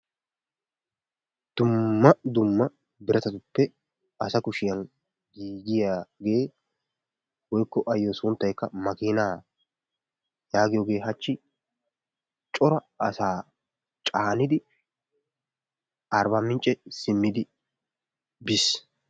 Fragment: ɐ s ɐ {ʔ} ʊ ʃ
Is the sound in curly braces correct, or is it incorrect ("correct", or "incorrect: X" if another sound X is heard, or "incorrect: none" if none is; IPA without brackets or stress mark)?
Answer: incorrect: k